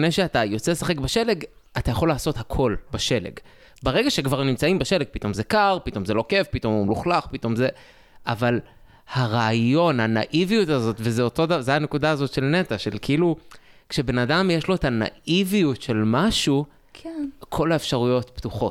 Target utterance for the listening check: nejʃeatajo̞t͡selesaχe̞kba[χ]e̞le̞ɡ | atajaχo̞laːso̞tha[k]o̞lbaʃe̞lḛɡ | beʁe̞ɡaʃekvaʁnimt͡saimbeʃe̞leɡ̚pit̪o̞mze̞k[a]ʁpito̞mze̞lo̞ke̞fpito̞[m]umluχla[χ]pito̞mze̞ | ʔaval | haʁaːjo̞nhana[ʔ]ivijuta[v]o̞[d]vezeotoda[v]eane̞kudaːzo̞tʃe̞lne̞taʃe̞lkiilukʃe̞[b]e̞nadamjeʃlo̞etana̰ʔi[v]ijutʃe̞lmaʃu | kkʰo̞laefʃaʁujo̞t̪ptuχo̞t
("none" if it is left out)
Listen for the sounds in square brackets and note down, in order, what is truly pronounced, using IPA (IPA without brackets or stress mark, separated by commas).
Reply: ʃ, kʰ, a, m, χ, ʔ, z, t, z, b, v